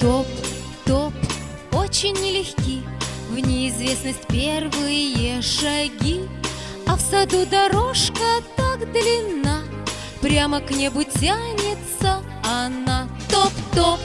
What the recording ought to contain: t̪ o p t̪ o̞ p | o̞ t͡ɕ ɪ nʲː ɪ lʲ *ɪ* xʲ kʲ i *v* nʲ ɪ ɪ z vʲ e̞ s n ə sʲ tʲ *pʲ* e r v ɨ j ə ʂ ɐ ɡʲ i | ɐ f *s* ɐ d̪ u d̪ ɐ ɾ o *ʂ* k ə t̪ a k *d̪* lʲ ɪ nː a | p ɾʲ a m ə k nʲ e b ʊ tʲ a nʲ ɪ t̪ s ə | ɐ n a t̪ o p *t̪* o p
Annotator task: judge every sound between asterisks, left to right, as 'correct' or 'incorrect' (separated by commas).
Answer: correct, correct, correct, correct, correct, correct, correct